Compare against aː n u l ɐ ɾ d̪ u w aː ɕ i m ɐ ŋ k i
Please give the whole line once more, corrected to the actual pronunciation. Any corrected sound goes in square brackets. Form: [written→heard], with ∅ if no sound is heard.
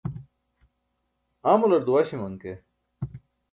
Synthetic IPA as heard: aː [n→m] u l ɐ ɾ d̪ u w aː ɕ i m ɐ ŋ k [i→e]